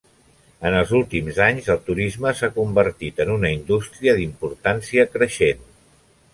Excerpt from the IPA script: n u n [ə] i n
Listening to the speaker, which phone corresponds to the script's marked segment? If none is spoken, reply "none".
ə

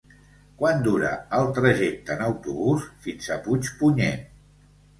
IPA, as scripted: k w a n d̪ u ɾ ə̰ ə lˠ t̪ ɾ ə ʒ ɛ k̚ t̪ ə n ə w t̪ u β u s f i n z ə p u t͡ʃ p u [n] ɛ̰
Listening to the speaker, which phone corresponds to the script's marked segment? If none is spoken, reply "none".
ɲ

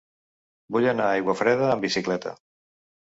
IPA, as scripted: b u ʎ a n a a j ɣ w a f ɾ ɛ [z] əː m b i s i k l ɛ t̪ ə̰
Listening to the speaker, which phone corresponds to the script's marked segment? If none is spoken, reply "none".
ð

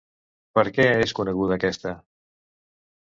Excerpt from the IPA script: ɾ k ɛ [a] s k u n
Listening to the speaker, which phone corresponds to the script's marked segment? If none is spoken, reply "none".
e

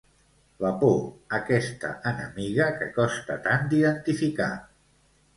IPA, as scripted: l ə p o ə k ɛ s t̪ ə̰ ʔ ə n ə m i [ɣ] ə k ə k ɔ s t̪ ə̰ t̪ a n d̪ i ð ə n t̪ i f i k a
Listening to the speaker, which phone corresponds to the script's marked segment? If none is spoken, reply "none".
ɣ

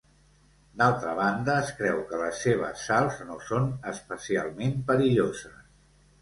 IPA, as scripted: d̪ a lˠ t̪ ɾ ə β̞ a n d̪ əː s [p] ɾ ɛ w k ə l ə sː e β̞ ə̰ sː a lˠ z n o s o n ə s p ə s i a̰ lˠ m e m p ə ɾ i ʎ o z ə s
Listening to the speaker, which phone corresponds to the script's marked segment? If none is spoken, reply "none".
k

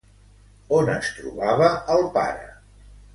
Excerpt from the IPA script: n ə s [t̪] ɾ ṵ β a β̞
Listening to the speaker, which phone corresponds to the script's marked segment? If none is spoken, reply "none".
t̪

